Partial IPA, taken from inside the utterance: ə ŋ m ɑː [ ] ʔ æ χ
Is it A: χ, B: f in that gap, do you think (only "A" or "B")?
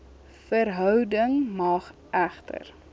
A